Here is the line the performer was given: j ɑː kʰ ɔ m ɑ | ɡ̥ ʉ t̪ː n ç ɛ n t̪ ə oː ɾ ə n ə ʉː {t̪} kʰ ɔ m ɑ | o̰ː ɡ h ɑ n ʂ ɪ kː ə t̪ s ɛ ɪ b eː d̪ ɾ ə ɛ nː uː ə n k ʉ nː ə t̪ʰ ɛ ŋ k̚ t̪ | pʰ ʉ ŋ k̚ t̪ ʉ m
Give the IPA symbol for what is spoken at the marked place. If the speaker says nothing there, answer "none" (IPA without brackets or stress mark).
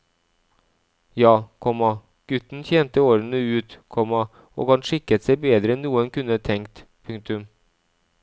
t̪